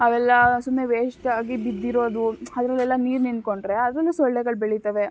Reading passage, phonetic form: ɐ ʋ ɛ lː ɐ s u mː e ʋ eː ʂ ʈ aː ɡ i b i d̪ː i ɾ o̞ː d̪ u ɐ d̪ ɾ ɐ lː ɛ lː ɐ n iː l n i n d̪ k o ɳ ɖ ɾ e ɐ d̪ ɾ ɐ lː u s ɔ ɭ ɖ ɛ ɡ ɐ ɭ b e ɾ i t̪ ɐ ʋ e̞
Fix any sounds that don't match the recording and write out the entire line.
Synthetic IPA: ɐ ʋ ɛ lː ɐ s u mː e ʋ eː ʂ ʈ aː ɡ i b i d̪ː i ɾ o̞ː d̪ u ɐ d̪ ɾ ɐ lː ɛ lː ɐ n iː ɾ n i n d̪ k o ɳ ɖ ɾ e ɐ d̪ ɾ ɐ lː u s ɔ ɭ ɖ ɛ ɡ ɐ ɭ b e ɭ i t̪ ɐ ʋ e̞